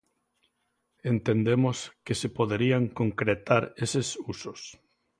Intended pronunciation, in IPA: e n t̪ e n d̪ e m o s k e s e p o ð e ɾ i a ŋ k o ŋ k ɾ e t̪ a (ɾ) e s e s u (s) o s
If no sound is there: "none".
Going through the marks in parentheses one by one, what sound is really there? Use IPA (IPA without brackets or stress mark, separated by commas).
ɾ, s